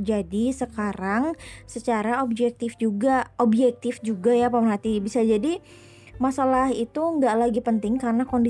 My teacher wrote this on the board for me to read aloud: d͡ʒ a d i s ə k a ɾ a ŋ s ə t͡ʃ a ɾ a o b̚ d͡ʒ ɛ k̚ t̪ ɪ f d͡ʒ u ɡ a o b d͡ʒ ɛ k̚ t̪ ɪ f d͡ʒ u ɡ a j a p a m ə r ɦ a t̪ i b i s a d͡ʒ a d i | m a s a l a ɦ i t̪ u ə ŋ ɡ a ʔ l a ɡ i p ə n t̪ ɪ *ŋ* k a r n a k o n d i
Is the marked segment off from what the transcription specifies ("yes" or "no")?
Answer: no